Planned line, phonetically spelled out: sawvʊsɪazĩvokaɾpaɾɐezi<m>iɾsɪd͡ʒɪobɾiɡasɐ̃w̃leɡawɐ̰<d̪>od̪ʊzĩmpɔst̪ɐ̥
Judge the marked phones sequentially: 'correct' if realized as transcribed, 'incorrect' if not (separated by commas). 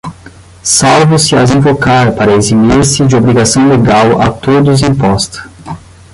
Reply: correct, incorrect